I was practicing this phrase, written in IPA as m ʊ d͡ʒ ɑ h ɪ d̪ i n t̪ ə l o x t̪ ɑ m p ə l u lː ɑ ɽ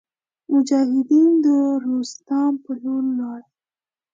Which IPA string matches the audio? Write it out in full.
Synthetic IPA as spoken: m ʊ d͡ʒ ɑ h ɪ d̪ i n d̪ ə ɾ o s t̪ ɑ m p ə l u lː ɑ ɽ